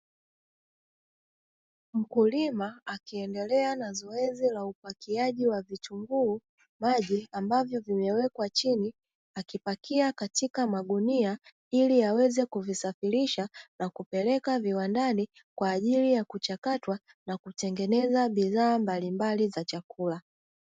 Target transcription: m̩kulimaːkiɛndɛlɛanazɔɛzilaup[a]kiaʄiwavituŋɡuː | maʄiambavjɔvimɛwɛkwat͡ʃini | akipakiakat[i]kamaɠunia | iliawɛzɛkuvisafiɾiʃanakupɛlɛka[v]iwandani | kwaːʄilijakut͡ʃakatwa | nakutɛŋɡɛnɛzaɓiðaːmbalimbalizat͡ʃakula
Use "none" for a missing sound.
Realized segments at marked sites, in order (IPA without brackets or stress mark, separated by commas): a, i, v